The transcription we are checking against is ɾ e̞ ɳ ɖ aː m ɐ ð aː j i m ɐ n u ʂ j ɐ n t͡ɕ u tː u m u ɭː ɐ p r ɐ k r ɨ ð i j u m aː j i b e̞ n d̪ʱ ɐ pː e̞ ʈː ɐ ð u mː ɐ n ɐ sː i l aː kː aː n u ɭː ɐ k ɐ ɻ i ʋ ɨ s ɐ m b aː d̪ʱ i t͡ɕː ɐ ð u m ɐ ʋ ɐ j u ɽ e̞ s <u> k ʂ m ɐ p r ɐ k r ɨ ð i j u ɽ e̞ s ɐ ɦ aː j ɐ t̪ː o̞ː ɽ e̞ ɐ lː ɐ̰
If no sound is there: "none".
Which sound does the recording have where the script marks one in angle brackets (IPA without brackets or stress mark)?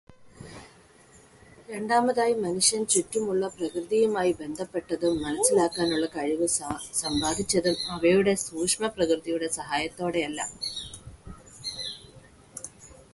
uː